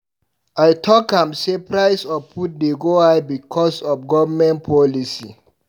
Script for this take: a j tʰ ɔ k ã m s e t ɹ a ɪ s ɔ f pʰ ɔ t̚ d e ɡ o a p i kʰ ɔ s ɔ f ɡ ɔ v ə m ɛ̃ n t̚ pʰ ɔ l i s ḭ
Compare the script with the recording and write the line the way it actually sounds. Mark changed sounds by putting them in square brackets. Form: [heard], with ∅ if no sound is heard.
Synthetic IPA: a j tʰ ɔ k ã m s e [p] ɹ a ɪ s ɔ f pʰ [u] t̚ d e ɡ o a [b] i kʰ ɔ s ɔ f ɡ ɔ v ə m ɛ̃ n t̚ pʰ ɔ l i s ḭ